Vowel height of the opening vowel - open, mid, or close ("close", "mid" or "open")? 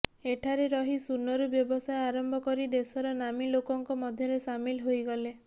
mid